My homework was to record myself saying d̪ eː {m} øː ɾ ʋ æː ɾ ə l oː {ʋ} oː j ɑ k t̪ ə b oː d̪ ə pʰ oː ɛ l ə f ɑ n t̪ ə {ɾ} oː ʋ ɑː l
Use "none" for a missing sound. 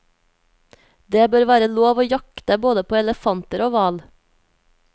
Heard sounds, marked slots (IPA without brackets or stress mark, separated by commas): b, ʋ, ɾ